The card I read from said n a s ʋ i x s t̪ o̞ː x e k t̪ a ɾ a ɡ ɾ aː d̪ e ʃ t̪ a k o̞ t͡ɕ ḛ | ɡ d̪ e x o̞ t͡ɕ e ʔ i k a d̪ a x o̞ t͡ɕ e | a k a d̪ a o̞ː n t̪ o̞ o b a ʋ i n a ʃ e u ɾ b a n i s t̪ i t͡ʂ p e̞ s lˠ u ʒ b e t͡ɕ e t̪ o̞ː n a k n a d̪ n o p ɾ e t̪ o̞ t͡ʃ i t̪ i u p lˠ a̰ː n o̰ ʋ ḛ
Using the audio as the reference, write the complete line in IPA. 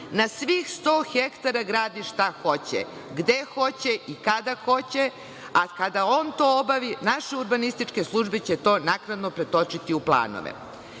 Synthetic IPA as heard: n a s ʋ i x s t̪ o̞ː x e k t̪ a ɾ a ɡ ɾ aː d̪ i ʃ t̪ a x o̞ t͡ɕ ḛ | ɡ d̪ e x o̞ t͡ɕ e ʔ i k a d̪ a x o̞ t͡ɕ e | a k a d̪ a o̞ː n t̪ o̞ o b a ʋ i n a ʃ e u ɾ b a n i s t̪ i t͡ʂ k e̞ s lˠ u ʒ b e t͡ɕ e t̪ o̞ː n a k n a d̪ n o p ɾ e t̪ o̞ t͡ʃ i t̪ i u p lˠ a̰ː n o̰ ʋ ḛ